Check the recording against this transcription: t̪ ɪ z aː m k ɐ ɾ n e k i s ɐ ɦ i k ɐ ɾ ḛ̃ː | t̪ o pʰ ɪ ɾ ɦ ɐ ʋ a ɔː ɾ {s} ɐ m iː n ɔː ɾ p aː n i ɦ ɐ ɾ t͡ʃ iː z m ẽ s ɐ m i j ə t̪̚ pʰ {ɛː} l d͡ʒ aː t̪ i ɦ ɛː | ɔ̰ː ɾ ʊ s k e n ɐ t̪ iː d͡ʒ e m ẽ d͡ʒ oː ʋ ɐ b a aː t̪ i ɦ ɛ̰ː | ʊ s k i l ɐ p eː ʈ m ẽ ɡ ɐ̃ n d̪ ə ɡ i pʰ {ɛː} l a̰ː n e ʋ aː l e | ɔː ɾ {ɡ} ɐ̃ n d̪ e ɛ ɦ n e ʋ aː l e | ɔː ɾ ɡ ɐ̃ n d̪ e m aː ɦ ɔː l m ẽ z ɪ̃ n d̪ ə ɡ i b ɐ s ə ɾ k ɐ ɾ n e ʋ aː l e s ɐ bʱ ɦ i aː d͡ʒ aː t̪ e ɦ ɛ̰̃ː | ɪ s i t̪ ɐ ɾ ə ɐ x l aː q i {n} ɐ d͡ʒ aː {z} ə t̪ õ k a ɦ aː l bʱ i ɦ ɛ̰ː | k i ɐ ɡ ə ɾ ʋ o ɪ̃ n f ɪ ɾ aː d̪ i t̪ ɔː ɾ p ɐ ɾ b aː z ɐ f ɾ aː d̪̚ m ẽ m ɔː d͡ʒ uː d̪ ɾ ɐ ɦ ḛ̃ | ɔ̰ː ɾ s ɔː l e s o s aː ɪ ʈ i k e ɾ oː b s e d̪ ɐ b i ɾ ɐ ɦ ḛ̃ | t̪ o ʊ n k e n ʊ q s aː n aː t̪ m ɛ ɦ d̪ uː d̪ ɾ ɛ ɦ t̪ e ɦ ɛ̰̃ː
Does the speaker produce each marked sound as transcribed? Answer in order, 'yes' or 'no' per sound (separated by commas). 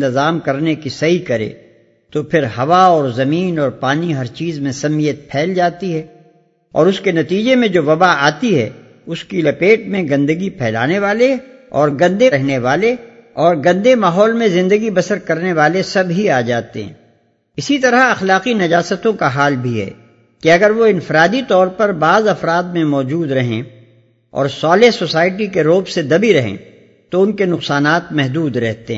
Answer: no, yes, yes, yes, yes, no